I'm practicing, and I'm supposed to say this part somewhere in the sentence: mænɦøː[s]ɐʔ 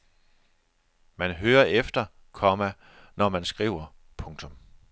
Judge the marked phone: incorrect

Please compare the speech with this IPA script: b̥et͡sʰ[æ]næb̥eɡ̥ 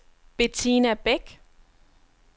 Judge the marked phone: incorrect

